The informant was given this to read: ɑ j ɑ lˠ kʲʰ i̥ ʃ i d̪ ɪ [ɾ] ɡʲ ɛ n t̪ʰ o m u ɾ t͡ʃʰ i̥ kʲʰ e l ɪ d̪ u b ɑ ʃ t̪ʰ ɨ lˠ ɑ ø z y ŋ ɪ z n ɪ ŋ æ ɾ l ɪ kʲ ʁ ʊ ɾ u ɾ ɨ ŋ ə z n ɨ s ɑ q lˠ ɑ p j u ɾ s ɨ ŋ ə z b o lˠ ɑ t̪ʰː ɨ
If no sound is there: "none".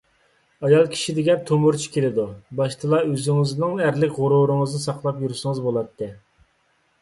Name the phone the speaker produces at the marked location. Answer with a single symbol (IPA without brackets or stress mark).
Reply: none